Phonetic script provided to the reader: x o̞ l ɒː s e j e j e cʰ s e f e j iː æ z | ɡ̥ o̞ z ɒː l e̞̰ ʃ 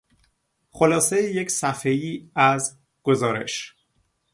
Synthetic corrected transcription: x o̞ l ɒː s e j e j e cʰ s æ f e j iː æ z | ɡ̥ o̞ z ɒː ɾ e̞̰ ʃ